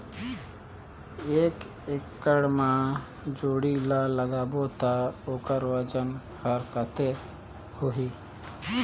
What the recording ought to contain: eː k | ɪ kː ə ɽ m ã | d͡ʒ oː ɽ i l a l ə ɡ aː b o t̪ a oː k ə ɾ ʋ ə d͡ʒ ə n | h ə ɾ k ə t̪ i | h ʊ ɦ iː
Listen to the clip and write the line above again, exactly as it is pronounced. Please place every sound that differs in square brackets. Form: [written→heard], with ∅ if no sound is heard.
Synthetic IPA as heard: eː k | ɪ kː ə ɽ m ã | d͡ʒ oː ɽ i l a l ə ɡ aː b o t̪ a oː k ə ɾ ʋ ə d͡ʒ ə n | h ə ɾ k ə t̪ [i→e] | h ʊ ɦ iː